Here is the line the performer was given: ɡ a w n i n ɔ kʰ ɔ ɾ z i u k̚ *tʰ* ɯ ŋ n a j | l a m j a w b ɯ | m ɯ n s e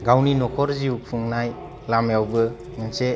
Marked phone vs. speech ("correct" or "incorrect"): incorrect